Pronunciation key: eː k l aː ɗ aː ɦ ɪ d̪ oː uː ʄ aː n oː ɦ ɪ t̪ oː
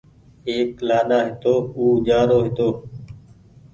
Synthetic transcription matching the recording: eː k l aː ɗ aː ɦ ɪ t̪ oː uː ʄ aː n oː ɦ ɪ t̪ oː